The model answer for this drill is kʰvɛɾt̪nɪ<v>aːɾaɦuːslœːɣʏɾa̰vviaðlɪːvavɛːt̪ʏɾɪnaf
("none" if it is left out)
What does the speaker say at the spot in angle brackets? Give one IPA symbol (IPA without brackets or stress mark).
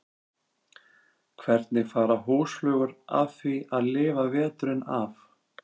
f